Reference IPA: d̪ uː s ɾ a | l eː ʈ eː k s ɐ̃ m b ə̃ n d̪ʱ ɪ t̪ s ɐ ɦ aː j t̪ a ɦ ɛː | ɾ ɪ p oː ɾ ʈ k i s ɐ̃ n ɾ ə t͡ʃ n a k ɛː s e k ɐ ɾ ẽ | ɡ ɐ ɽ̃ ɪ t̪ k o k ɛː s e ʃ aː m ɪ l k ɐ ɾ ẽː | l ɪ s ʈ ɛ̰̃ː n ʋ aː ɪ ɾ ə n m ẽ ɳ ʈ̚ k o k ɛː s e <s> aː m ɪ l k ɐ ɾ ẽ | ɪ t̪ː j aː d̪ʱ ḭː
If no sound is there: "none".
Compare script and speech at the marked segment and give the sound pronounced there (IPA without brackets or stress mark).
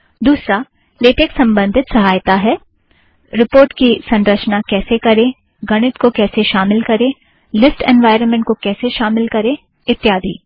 ʃ